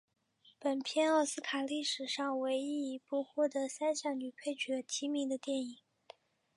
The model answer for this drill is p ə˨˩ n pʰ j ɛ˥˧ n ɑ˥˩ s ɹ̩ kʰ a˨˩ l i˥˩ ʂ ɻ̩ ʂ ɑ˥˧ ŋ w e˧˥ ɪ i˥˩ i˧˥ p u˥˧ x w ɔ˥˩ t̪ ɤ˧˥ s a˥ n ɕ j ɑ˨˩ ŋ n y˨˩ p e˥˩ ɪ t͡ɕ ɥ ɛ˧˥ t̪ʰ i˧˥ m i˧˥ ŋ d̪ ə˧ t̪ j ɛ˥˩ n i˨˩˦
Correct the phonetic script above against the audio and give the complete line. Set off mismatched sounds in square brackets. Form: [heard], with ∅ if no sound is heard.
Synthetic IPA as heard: p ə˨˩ n pʰ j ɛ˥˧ n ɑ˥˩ s ɹ̩ kʰ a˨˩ l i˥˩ ʂ ɻ̩ ʂ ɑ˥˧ ŋ w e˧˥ ɪ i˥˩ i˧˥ p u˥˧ x w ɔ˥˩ t̪ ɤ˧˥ s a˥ n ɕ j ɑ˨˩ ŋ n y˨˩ [pʰ] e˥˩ ɪ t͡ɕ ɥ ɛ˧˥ t̪ʰ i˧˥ m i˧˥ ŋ d̪ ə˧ t̪ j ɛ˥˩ n i˨˩˦